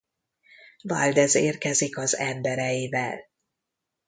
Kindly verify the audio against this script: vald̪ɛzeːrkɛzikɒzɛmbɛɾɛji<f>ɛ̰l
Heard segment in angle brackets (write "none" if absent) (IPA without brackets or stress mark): v